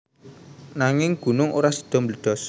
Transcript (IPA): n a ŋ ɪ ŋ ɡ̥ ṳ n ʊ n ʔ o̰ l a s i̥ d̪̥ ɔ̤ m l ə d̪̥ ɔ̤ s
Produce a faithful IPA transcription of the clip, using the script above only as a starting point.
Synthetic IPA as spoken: n a ŋ ɪ ŋ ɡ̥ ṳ n ʊ ŋ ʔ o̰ ɾ a s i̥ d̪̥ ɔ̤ m l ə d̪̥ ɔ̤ s